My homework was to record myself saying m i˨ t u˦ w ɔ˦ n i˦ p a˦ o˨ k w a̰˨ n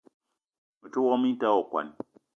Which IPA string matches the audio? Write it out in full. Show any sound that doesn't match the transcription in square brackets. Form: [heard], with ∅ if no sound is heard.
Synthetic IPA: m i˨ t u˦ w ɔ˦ [m] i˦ [t] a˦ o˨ k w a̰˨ n